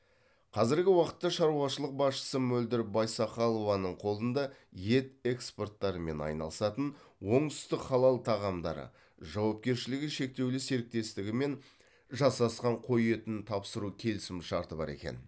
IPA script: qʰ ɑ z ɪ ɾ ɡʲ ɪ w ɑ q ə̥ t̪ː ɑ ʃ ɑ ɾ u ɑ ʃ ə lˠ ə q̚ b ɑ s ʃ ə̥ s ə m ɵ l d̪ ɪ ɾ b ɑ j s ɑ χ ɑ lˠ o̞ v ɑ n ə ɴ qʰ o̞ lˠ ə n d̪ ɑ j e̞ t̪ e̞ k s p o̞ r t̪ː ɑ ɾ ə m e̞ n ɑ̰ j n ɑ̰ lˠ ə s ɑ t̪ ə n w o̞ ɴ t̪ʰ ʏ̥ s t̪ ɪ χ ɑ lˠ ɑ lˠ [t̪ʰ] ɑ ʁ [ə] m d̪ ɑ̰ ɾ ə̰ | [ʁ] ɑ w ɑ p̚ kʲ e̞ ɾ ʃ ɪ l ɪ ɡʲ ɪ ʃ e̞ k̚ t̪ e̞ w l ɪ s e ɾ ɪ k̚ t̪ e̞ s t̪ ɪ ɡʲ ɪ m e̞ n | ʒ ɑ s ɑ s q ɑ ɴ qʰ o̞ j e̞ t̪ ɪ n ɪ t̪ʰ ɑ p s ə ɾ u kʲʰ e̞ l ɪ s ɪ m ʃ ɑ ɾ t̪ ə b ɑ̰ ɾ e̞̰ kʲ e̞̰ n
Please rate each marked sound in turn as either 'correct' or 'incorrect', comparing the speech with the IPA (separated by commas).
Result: correct, incorrect, incorrect